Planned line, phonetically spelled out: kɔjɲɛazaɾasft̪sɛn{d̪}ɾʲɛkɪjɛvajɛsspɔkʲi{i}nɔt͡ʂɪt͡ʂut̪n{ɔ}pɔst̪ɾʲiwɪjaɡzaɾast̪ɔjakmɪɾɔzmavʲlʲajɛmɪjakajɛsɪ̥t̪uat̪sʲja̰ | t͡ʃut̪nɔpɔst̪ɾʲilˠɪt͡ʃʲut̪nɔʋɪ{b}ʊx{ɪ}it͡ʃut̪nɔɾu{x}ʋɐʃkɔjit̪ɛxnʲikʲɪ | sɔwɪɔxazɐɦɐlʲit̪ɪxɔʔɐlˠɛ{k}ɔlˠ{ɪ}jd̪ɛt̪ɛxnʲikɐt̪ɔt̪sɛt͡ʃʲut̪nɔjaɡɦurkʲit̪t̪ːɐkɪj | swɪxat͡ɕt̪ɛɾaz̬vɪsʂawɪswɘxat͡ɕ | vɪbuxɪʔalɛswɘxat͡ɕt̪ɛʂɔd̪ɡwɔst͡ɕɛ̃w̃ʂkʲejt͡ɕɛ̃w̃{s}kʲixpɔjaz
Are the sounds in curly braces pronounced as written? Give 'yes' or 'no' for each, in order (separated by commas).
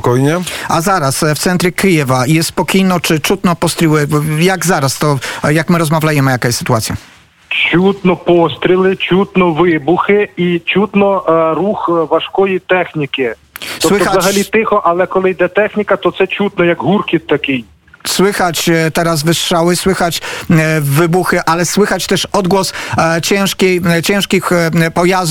no, no, yes, yes, yes, yes, yes, yes, no